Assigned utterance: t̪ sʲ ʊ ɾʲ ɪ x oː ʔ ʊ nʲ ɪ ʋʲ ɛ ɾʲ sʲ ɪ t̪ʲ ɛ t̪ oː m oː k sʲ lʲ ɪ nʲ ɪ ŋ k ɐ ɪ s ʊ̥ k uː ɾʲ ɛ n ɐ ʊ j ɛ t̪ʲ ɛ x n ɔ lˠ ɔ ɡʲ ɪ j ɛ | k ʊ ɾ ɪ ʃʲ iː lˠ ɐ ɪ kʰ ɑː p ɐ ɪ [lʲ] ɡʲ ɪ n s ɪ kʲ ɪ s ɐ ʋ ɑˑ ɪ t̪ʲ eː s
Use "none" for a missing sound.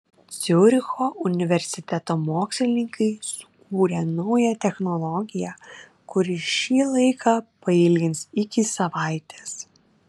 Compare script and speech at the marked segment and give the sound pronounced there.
lʲ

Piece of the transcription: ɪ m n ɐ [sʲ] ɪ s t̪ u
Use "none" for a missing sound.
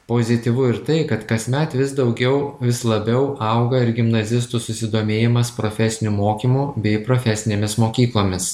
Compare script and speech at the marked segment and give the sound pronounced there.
zʲ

